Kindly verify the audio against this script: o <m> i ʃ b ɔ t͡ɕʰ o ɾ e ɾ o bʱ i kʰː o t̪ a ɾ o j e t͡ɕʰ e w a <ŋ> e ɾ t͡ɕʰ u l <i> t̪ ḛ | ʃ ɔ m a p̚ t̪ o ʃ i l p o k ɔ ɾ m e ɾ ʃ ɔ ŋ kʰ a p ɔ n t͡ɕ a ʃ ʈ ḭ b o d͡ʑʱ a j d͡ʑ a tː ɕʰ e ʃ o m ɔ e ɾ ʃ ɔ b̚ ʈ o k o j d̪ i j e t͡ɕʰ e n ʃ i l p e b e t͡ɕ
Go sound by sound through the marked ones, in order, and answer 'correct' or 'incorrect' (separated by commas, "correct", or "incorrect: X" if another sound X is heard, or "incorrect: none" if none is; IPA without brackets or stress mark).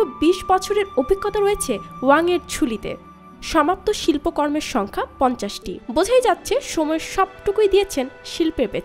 incorrect: b, correct, correct